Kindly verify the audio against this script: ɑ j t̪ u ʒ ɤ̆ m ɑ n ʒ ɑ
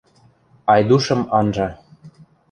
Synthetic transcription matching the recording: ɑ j d̪ u ʃ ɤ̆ m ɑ n ʒ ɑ